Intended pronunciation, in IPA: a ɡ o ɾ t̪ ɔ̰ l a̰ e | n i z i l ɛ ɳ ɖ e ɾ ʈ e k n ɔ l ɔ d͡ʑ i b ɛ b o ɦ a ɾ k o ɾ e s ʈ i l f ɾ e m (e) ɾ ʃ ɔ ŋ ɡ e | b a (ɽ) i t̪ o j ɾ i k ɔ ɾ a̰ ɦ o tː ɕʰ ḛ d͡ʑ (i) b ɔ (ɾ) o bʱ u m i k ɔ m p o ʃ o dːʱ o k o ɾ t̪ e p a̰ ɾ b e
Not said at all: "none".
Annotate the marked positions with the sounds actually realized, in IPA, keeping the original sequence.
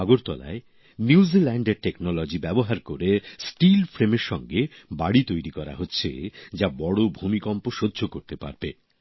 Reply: e, ɽ, a, ɽ

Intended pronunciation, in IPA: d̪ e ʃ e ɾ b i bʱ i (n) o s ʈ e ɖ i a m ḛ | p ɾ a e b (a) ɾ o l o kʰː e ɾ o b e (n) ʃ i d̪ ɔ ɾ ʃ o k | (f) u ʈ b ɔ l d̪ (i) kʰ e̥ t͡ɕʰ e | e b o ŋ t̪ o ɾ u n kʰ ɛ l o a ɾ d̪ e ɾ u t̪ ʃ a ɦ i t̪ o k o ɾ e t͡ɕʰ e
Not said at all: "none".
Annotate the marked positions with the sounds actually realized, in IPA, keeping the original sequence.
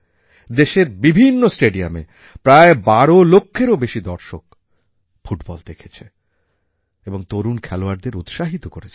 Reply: nː, a, none, f, e

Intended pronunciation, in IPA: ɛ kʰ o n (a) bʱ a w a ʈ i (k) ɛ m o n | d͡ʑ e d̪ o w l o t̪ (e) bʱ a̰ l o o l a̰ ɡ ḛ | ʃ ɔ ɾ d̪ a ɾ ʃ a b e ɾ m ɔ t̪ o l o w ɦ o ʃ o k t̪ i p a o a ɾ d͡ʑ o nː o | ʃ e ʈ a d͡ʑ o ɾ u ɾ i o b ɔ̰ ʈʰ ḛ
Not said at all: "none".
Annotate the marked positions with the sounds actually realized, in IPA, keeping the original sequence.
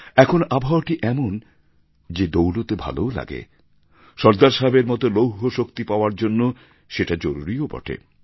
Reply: a, ʔ, e

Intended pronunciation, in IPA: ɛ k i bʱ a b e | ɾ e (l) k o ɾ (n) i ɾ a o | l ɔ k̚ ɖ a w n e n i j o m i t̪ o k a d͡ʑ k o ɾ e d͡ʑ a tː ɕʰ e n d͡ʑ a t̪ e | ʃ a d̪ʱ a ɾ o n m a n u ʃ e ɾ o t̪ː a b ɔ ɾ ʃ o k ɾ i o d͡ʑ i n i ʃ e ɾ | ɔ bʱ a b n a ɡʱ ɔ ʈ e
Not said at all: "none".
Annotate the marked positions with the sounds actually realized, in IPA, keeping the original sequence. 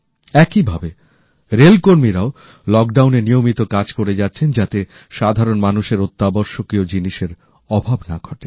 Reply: l, m

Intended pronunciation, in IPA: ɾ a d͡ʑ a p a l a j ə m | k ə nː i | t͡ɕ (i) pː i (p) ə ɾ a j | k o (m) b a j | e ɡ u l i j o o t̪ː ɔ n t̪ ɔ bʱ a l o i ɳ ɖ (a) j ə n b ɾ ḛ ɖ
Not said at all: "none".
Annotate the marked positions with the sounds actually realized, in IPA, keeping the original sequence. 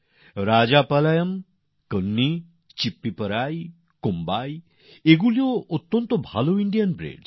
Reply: i, p, m, i

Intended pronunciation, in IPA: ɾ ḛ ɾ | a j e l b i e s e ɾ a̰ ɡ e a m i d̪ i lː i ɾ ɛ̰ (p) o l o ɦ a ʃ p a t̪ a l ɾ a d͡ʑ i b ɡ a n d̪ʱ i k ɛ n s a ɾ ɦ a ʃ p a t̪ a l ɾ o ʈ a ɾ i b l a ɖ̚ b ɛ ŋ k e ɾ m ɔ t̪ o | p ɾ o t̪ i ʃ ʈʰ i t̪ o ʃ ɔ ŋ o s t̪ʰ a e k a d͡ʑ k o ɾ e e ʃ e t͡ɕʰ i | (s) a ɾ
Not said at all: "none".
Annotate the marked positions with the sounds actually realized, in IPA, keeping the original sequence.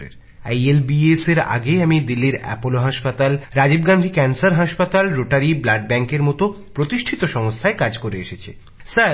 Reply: p, s

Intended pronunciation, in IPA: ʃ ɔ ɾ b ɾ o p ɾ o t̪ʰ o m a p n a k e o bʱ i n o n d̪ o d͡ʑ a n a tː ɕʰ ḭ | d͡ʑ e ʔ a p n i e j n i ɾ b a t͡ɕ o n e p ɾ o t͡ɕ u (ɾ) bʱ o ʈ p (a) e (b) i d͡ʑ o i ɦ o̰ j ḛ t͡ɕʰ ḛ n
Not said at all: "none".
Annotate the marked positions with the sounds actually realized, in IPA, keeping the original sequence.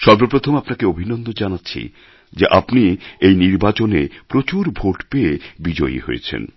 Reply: ɾ, e, b

